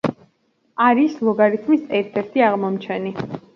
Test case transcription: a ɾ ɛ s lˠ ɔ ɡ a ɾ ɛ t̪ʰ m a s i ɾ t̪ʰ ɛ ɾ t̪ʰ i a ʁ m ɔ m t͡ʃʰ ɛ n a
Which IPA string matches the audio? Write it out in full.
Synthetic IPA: a ɾ i s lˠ ɔ ɡ a ɾ i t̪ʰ m i s ɛ ɾ t̪ʰ ɛ ɾ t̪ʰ i a ʁ m ɔ m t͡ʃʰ ɛ n i